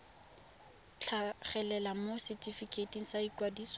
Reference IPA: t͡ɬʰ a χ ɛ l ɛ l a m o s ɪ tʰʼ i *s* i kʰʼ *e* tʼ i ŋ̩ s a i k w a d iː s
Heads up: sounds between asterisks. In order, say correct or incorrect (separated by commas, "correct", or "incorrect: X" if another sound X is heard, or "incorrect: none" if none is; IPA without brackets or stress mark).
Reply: incorrect: f, correct